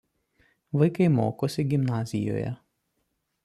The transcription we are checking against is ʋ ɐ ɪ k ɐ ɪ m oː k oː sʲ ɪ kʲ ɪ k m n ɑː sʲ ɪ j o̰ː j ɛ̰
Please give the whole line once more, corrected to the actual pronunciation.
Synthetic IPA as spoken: ʋ ɐ ɪ k ɐ ɪ m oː k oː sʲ ɪ ɡʲ ɪ m n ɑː zʲ ɪ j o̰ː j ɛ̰